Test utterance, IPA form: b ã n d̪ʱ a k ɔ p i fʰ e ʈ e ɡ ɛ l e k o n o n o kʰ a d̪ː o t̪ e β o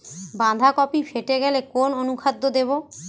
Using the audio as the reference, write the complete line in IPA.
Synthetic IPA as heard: b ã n d̪ʱ a k ɔ p i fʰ e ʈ e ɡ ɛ l e k o n o n u kʰ a d̪ː o d̪ e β o

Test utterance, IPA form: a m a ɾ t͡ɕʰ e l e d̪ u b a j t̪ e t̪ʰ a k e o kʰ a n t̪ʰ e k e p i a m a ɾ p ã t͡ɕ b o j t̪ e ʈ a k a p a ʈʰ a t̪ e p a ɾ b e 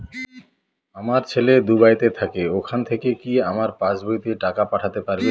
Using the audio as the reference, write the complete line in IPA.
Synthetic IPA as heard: a m a ɾ t͡ɕʰ e l e d̪ u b a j t̪ e t̪ʰ a k e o kʰ a n t̪ʰ e k e k i a m a ɾ p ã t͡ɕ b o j t̪ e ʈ a k a p a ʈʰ a t̪ e p a ɾ b e

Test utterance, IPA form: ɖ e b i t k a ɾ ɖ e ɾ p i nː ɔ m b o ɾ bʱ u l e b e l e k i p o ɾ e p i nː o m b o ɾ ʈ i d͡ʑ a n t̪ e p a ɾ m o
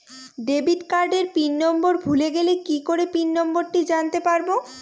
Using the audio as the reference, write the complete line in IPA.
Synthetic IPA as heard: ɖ e b i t k a ɾ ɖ e ɾ p i nː ɔ m b o ɾ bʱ u l e ɡ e l e k i k o ɾ e p i nː ɔ m b o ɾ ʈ i d͡ʑ a n t̪ e p a ɾ b o

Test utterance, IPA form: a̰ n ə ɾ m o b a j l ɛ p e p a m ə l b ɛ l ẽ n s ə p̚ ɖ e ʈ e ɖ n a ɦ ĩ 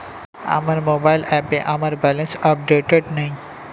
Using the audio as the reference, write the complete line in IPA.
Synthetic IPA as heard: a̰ m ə ɾ m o b a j l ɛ p e ʔ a m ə ɾ b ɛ l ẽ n s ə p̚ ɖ e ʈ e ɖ n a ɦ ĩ

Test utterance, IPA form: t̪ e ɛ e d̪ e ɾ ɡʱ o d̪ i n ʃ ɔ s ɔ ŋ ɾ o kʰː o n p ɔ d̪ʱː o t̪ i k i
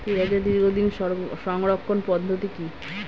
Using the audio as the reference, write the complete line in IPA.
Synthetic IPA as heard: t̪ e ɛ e d̪ i ɾ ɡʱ o d̪ i n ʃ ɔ ʃ ɔ ŋ ɾ o kʰː o n p ɔ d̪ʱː o t̪ i k i

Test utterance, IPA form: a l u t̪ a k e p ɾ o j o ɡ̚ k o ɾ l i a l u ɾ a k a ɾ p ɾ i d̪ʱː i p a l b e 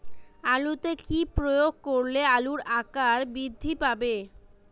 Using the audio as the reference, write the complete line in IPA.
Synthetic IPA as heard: a l u t̪ e k i p ɾ o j o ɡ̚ k o ɾ l e a l u ɾ a k a ɾ b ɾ i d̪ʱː i p a b e

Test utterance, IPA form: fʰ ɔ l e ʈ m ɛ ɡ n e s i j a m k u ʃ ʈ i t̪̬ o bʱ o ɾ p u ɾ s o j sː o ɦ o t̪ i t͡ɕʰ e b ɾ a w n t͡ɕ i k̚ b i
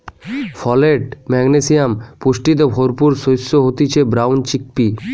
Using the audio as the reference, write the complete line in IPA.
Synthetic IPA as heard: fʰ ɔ l e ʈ m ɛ ɡ n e s i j a m p u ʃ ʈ i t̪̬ o bʱ o ɾ p u ɾ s o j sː o ɦ o t̪ i t͡ɕʰ e b ɾ a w n t͡ɕ i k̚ p i

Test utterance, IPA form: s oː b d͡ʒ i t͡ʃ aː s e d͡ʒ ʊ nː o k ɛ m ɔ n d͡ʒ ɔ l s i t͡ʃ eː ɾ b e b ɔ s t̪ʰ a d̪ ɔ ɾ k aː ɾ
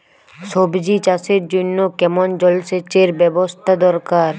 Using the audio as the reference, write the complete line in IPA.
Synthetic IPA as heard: s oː b d͡ʒ i t͡ʃ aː s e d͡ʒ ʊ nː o k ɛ m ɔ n d͡ʒ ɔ l s e t͡ʃ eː ɾ b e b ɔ s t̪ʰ a d̪ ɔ ɾ k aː ɾ

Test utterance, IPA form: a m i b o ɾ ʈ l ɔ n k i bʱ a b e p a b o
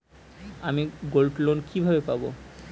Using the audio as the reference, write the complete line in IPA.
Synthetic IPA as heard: a m i ɡ o l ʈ l o n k i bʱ a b e p a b o

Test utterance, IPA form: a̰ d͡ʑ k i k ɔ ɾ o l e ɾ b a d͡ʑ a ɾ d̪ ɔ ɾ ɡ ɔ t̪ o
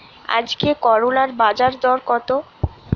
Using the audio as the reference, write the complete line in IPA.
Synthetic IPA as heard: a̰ d͡ʑ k e k ɔ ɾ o l a ɾ b a d͡ʑ a ɾ d̪ ɔ ɾ k ɔ t̪ o

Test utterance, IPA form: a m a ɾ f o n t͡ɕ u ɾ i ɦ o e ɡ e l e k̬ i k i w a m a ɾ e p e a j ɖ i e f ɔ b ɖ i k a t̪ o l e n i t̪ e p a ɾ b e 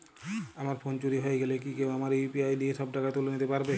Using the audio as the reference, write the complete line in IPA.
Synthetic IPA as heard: a m a ɾ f o n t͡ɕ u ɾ i ɦ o e ɡ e l e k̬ i k e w a m a ɾ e p i a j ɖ i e ʃ ɔ b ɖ a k a t̪ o l e n i t̪ e p a ɾ b e

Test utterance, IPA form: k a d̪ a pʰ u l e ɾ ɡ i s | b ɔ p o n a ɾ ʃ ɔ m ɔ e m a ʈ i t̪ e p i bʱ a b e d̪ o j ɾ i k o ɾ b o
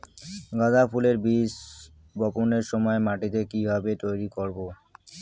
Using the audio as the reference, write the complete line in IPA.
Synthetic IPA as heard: ɡ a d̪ a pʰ u l e ɾ b i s | b ɔ p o n e ɾ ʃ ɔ m ɔ e m a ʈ i t̪ e k i bʱ a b e t̪ o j ɾ i k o ɾ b o

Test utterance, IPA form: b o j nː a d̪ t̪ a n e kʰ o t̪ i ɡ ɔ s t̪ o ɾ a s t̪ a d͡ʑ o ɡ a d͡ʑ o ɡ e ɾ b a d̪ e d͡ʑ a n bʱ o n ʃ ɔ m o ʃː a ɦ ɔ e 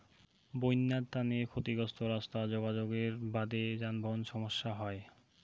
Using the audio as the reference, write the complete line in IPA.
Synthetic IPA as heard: b o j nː a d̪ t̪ a n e kʰ o t̪ i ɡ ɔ s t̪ o ɾ a s t̪ a d͡ʑ o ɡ a d͡ʑ o ɡ e ɾ b a d̪ e d͡ʑ a n bʱ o n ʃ ɔ m o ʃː a ɦ ɔ e

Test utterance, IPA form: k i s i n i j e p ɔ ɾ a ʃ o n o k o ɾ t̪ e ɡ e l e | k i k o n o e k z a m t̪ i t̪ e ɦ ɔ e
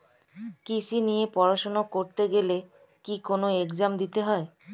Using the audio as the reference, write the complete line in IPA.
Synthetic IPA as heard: k i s i n i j e p ɔ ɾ a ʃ o n o k o ɾ t̪ e ɡ e l e | k i k o n o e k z a m d̪ i t̪ e ɦ ɔ e

